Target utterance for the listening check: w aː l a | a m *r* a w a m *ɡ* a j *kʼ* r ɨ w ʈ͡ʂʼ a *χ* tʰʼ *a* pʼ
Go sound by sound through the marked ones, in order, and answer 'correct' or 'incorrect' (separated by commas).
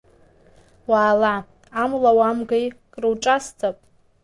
incorrect, correct, correct, incorrect, correct